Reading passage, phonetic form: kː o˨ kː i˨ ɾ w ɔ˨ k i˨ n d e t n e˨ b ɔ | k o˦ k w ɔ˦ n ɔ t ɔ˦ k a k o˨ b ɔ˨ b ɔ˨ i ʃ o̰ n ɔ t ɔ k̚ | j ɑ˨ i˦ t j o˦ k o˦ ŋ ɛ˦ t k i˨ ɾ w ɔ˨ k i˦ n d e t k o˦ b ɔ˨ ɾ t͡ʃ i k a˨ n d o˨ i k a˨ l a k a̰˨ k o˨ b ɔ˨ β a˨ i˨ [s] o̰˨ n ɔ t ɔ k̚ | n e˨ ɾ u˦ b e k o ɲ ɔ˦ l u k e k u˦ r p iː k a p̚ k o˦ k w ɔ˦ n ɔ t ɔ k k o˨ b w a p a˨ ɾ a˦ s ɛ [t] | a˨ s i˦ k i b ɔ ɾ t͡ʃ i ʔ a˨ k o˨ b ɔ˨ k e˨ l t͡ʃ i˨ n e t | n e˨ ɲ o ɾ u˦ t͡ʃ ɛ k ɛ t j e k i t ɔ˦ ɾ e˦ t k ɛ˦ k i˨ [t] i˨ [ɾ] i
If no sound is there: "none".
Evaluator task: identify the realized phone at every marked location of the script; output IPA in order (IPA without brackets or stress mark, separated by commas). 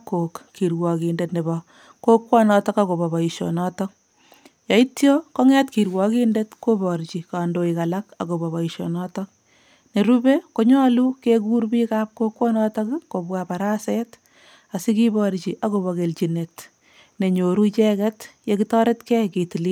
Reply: ʃ, t, t, l